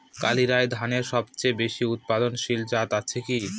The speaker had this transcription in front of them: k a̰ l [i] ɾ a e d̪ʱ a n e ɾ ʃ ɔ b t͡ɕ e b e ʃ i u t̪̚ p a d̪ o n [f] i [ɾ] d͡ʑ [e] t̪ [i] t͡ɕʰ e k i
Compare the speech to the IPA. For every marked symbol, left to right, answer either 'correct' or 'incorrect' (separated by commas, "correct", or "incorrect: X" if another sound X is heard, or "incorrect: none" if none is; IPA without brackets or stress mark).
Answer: correct, incorrect: ʃ, incorrect: l, incorrect: a, incorrect: a